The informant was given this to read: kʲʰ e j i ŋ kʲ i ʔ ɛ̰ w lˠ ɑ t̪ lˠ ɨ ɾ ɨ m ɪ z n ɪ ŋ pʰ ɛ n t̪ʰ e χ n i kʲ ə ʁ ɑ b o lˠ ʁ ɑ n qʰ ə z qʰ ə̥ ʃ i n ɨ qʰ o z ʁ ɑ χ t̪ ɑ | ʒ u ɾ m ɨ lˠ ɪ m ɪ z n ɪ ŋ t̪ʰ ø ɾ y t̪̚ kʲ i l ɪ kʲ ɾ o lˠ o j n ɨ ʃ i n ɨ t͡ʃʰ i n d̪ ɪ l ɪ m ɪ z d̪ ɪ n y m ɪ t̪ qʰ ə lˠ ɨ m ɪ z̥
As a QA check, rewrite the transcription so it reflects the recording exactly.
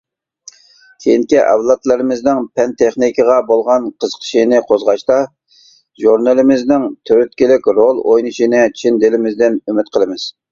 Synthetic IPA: kʲʰ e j i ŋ kʲ i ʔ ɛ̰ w lˠ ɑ t̪ lˠ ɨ ɾ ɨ m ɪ z n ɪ ŋ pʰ ɛ n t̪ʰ e χ n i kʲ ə ʁ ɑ b o lˠ ʁ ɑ n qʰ ə z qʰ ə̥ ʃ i n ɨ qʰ o z ʁ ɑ ʃ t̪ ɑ | ʒ u ɾ n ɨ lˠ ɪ m ɪ z n ɪ ŋ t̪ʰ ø ɾ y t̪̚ kʲ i l ɪ kʲ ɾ o lˠ o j n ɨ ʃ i n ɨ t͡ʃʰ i n d̪ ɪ l ɪ m ɪ z d̪ ɪ n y m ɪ t̪ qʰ ə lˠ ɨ m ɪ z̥